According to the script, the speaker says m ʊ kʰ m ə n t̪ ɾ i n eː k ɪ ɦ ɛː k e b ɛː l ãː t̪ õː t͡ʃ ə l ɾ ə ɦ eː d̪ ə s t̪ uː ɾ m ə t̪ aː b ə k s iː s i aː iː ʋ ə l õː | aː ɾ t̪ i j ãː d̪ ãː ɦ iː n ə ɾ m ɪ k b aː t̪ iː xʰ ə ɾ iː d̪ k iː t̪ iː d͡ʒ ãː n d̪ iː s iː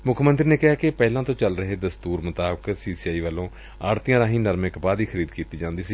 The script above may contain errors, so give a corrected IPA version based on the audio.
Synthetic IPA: m ʊ kʰ m ə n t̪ ɾ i n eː k ɪ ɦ aː k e p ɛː l ãː t̪ õː t͡ʃ ə l ɾ ə ɦ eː d̪ ə s t̪ uː ɾ m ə t̪ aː b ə k s iː s i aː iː ʋ ə l õː | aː ɾ t̪ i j ãː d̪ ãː ɦ iː n ə ɾ m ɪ k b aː d̪ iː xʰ ə ɾ iː d̪ k iː t̪ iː d͡ʒ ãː n d̪ iː s iː